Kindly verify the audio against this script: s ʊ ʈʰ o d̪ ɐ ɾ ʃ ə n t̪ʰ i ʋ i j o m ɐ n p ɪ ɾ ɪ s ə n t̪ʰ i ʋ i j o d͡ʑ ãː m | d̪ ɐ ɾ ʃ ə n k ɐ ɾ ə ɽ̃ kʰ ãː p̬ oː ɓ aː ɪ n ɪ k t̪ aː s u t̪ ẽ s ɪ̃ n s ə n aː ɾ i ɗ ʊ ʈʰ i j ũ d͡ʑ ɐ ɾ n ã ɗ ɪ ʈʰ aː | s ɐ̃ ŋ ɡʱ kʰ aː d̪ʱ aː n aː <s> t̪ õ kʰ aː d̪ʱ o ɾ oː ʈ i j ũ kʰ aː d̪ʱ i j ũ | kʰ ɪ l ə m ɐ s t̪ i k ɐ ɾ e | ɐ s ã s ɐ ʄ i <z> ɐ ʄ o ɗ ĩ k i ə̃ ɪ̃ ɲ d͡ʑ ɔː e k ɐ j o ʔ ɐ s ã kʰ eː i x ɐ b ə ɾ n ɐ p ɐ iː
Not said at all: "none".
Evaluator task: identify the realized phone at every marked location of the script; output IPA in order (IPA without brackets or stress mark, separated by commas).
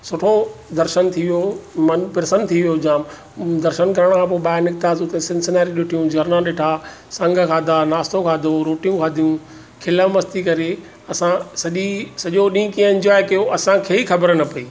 s, s